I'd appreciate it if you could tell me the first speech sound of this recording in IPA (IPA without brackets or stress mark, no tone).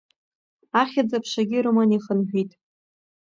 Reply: a